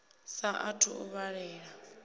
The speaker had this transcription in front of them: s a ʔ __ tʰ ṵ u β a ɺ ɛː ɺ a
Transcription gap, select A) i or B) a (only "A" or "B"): B